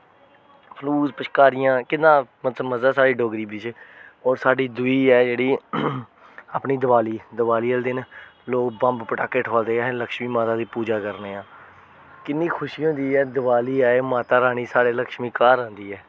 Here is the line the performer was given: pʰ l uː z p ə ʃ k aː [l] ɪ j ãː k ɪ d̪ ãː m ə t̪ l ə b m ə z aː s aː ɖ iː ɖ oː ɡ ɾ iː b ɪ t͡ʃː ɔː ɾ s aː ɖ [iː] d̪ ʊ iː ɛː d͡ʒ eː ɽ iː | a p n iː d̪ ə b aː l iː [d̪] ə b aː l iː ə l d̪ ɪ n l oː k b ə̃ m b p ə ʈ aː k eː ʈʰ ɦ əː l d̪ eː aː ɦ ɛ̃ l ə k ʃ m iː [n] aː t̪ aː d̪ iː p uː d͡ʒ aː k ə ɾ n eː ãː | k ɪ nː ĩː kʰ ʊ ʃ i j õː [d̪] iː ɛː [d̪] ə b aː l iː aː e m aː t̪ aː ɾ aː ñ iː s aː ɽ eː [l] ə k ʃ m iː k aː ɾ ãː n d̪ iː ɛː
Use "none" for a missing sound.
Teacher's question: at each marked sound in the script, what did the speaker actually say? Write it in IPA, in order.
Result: ɾ, iː, d̪, m, d̪, d̪, l

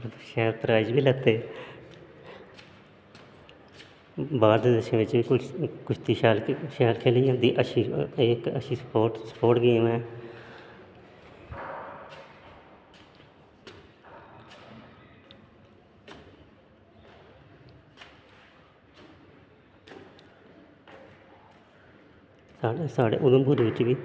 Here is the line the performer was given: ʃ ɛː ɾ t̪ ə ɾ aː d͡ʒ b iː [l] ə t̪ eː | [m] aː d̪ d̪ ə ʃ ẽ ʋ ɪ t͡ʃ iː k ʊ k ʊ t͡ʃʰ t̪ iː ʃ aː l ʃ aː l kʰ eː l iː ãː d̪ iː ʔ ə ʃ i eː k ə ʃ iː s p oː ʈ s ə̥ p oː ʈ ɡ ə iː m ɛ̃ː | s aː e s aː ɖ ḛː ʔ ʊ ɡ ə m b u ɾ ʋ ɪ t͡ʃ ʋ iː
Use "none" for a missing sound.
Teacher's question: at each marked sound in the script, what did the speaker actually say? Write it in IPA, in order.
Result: l, b

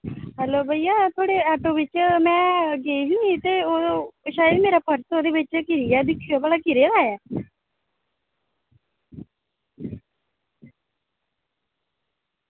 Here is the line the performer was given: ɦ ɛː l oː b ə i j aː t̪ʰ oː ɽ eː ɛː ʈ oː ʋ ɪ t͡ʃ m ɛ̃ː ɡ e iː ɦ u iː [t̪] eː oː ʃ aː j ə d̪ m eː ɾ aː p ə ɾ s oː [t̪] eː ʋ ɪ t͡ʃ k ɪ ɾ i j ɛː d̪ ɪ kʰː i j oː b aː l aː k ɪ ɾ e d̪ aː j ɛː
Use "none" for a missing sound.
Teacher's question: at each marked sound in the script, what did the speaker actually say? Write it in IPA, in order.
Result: t̪, d̪

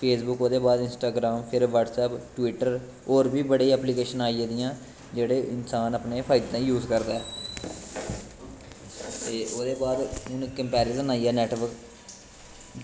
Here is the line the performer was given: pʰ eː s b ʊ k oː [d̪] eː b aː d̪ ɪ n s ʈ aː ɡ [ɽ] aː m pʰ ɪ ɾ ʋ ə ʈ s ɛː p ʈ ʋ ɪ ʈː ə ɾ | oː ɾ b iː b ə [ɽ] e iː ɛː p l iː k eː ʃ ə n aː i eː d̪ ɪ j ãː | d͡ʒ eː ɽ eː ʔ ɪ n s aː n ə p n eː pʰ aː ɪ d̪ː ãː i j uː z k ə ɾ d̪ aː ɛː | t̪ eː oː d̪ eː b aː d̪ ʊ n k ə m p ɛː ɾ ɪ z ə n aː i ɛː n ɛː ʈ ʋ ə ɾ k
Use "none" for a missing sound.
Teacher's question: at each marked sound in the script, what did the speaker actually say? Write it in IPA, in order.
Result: d̪, ɾ, ɽ

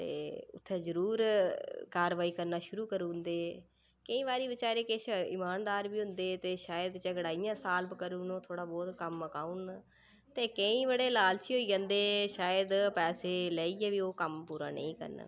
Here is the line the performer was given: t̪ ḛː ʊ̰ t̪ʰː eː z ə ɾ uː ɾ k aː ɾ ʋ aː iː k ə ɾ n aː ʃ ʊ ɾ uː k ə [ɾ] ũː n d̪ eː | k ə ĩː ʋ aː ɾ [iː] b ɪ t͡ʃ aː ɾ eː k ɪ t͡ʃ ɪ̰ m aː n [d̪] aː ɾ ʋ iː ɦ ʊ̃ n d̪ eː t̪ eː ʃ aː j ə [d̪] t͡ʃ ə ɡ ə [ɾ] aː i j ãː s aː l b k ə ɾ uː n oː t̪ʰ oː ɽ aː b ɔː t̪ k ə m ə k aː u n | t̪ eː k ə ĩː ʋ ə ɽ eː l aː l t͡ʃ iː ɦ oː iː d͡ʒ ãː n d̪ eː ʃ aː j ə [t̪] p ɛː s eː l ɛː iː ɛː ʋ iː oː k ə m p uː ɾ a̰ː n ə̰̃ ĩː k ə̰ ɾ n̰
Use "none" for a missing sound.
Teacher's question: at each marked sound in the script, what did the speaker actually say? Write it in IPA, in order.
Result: ɾ, iː, d̪, d̪, ɽ, d̪

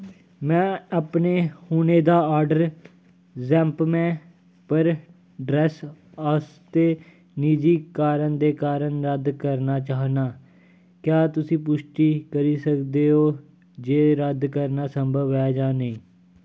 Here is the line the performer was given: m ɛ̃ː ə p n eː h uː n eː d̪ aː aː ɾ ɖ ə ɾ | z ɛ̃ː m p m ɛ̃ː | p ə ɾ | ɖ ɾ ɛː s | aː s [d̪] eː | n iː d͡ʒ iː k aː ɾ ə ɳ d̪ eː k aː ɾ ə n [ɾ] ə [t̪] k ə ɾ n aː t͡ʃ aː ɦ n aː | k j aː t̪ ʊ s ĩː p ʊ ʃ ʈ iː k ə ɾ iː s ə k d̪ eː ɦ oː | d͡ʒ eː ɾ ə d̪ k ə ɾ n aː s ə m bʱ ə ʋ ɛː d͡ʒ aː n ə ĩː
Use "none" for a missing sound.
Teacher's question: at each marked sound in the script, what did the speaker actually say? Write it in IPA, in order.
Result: t̪, ɾ, d̪

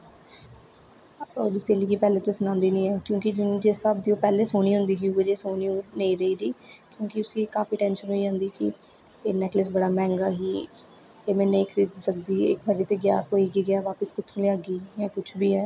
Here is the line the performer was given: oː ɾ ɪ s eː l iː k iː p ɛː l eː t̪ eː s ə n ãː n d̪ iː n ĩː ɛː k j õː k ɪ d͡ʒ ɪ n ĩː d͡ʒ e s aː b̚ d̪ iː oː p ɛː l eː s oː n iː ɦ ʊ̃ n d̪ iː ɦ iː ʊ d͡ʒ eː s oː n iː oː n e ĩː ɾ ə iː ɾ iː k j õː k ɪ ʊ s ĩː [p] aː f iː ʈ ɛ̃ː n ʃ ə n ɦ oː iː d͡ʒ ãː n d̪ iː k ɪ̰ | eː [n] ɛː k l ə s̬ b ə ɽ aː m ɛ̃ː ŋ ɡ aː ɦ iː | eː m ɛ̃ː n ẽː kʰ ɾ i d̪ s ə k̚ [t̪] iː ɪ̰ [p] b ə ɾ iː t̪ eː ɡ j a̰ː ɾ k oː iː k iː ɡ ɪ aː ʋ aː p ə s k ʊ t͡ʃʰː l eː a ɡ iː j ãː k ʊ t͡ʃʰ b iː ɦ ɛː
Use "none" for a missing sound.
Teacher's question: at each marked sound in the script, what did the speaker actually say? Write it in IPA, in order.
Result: k, n, d̪, k

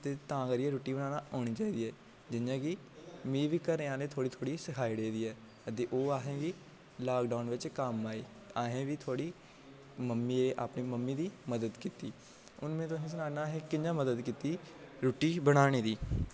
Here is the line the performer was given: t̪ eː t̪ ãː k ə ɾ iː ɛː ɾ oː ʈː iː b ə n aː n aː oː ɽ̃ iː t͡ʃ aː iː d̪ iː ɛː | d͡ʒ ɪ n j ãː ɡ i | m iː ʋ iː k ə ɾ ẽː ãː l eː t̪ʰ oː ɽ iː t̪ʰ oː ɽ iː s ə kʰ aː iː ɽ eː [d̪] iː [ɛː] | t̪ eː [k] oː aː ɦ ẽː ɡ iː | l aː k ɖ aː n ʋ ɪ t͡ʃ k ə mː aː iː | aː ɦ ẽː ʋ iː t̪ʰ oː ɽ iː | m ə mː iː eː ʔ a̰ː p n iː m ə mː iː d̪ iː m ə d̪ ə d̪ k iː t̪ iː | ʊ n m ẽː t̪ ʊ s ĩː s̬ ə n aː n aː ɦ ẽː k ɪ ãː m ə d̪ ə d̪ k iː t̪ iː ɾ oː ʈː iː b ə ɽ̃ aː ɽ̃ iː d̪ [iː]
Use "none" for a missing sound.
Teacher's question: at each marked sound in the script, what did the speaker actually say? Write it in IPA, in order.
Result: d̪, ɛː, ʔ, iː

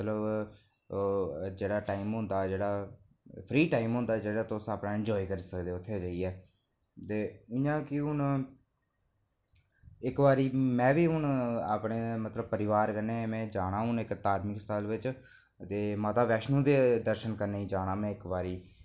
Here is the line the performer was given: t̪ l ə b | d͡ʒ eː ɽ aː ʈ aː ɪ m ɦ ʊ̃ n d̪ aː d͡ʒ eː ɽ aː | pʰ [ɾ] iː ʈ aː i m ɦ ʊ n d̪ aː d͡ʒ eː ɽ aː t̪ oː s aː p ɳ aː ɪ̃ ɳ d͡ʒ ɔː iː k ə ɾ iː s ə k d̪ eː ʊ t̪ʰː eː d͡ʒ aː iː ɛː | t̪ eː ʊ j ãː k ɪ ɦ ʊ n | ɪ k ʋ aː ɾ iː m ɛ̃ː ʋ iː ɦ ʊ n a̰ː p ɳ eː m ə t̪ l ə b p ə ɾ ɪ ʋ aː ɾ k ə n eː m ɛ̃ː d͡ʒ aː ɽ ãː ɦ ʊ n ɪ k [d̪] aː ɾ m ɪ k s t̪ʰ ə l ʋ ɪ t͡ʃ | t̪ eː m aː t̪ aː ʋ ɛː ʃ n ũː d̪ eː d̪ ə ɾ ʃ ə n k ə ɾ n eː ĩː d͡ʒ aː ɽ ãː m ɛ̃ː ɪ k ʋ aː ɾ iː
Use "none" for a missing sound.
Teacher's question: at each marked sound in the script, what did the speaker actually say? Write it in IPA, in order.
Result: ɾ, t̪

